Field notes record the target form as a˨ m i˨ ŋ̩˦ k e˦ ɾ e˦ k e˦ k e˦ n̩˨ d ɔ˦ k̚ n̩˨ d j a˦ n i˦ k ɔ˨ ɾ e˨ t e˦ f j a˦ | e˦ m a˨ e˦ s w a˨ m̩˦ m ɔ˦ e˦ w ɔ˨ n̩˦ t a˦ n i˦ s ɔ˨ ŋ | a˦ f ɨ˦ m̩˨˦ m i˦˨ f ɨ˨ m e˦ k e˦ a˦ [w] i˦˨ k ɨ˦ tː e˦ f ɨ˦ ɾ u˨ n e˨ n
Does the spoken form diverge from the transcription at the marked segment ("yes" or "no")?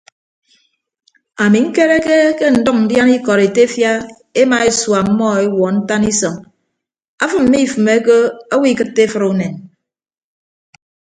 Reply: no